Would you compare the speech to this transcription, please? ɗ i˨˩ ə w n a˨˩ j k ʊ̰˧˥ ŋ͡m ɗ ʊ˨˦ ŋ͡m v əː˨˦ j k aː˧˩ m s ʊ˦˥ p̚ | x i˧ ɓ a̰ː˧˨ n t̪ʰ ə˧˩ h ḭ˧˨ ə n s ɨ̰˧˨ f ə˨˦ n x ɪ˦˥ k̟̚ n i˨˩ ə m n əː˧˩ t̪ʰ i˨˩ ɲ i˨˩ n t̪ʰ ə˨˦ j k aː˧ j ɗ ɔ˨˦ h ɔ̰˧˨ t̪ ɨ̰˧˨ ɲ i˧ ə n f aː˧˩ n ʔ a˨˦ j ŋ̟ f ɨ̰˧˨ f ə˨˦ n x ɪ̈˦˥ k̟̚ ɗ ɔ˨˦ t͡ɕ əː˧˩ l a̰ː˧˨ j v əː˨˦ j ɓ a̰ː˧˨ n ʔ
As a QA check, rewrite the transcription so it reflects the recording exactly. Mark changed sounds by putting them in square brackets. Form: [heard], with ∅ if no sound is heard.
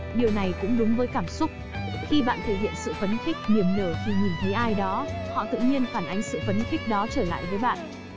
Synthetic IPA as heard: ɗ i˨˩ ə w n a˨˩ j k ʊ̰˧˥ ŋ͡m ɗ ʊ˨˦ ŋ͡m v əː˨˦ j k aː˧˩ m s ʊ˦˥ [k͡p̚] | x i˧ ɓ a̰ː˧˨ n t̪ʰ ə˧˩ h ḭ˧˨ ə n s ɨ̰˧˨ f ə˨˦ n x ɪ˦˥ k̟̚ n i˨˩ ə m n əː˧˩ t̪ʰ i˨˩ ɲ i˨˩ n t̪ʰ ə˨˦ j [ʔ] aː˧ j ɗ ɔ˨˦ h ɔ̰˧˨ t̪ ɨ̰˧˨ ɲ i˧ ə n f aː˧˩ n ʔ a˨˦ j ŋ̟ [s] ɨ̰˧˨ f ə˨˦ n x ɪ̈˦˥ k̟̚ ɗ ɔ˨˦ t͡ɕ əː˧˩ l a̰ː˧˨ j v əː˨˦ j ɓ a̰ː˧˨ n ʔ